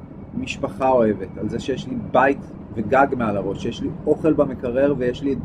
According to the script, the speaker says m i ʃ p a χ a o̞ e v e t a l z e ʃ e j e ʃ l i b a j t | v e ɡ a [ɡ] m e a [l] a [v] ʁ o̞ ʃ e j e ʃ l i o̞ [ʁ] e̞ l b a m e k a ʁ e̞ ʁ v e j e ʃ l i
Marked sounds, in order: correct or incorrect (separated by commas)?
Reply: correct, correct, incorrect, incorrect